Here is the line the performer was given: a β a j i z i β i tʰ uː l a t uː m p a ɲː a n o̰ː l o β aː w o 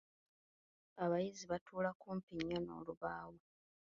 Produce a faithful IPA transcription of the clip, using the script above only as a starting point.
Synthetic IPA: a β a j i z i β a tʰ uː l a k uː m p i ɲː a n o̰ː l u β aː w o